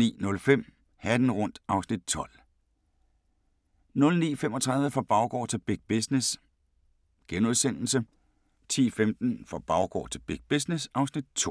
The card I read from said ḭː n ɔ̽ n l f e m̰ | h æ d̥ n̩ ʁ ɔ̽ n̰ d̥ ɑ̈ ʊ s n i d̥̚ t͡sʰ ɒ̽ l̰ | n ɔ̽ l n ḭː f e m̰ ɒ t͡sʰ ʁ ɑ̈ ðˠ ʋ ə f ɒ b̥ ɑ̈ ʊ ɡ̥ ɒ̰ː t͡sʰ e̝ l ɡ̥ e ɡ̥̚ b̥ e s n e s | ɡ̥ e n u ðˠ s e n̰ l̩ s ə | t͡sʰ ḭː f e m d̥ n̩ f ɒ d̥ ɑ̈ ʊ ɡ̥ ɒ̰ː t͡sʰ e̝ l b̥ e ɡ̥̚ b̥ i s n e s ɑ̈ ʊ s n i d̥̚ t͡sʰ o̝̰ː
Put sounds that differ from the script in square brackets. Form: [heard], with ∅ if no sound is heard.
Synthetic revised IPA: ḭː n ɔ̽ [∅] l f e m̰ | h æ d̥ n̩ ʁ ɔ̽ n̰ d̥ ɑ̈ ʊ s n i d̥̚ t͡sʰ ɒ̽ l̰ | n ɔ̽ l n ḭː f e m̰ ɒ t͡sʰ ʁ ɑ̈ ðˠ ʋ ə f ɒ b̥ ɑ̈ ʊ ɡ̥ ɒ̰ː t͡sʰ e̝ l [b̥] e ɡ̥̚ b̥ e s n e s | ɡ̥ e n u ðˠ s e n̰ l̩ s ə | t͡sʰ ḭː f e m d̥ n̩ f ɒ [b̥] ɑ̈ ʊ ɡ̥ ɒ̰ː t͡sʰ e̝ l b̥ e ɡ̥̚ b̥ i s n e s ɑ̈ ʊ s n i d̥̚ t͡sʰ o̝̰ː

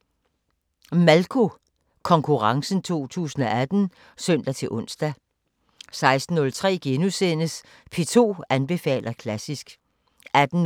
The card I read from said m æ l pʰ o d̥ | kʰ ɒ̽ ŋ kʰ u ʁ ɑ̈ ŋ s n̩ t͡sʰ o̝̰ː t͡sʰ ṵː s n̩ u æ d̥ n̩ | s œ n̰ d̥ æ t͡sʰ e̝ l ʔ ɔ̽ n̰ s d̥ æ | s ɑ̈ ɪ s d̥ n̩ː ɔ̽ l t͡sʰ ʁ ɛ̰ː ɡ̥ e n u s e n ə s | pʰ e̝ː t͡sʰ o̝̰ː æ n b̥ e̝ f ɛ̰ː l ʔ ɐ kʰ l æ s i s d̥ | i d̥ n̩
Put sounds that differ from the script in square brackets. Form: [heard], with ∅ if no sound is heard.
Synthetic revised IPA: m æ l [kʰ] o [∅] | kʰ ɒ̽ ŋ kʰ u ʁ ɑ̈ ŋ s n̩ t͡sʰ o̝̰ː t͡sʰ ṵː s n̩ [ɒ] æ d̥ n̩ | s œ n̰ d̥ æ t͡sʰ e̝ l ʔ ɔ̽ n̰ s d̥ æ | s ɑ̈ ɪ s d̥ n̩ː ɔ̽ l t͡sʰ ʁ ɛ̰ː ɡ̥ e n u s e n ə s | pʰ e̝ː t͡sʰ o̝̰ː æ n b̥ e̝ f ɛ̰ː l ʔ ɐ kʰ l æ s i s [ɡ̥] | [æ] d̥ n̩

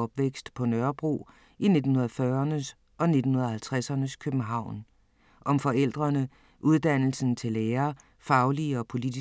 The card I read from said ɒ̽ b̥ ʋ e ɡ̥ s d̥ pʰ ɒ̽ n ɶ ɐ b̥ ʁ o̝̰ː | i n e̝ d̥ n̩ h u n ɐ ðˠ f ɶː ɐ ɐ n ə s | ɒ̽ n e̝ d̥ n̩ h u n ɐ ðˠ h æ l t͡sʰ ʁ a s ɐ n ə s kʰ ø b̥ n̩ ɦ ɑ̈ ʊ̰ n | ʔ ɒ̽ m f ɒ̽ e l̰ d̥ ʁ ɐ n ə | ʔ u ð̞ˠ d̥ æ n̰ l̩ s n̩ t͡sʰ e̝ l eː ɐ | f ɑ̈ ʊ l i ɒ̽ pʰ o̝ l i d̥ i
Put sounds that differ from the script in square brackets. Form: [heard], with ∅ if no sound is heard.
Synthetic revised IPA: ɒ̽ b̥ ʋ e ɡ̥ s d̥ pʰ ɒ̽ n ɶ ɐ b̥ ʁ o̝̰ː | i n e̝ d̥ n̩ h u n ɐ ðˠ f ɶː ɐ ɐ n ə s | ɒ̽ n e̝ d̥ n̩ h u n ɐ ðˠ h æ l t͡sʰ ʁ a s ɐ n ə s kʰ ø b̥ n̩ ɦ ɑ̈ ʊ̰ n | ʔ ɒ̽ m f ɒ̽ e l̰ d̥ ʁ ɐ n ə | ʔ u ð̞ˠ d̥ æ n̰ l̩ s n̩ t͡sʰ e̝ l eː ɐ | f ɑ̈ ʊ l i ɒ̽ pʰ o̝ l i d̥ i

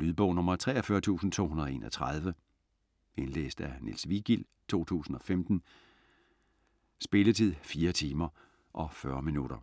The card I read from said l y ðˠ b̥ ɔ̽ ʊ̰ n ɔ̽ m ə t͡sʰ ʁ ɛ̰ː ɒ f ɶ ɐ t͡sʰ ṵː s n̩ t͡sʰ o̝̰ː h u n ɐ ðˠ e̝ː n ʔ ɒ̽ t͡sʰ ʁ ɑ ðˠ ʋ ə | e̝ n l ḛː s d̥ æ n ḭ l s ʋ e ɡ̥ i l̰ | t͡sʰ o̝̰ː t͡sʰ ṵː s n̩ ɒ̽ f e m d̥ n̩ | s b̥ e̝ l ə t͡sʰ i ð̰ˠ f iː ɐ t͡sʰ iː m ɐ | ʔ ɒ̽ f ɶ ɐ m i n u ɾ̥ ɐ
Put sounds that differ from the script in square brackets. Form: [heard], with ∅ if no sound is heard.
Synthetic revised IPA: l y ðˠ b̥ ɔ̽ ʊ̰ n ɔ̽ m [ɐ] t͡sʰ ʁ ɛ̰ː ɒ f ɶ ɐ t͡sʰ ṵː s n̩ t͡sʰ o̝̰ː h u n ɐ ðˠ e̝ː n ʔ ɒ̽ t͡sʰ ʁ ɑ ðˠ ʋ ə | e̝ n l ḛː s d̥ æ n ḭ l s ʋ [i] ɡ̥ i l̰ | t͡sʰ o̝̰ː t͡sʰ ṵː s n̩ ɒ̽ f e m d̥ n̩ | s b̥ e̝ l ə t͡sʰ i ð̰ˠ f iː ɐ t͡sʰ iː m ɐ | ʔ ɒ̽ f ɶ ɐ m i n u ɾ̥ ɐ

